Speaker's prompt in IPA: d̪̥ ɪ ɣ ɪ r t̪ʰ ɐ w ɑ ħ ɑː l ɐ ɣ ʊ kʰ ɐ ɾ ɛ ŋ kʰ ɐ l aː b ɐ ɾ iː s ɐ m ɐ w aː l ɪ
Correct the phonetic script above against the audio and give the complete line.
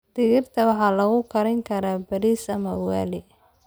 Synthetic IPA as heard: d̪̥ ɪ ɣ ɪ r t̪ʰ ɐ w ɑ ħ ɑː l ɐ ɣ ʊ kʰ ɐ ɾ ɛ ŋ kʰ ɐ ɾ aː b ɐ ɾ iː s ɐ m ɐ w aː l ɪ